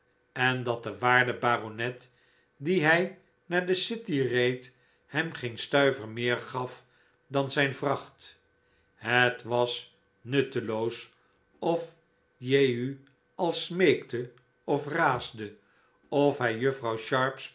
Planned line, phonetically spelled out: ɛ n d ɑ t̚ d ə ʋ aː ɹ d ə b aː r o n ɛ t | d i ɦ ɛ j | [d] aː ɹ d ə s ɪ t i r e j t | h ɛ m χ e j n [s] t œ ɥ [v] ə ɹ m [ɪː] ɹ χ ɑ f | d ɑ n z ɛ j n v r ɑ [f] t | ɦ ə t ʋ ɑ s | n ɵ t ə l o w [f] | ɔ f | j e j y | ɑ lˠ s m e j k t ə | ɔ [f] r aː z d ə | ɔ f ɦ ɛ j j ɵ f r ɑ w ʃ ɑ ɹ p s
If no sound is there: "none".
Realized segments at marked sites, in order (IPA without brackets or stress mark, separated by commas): n, s, v, ɪː, χ, s, f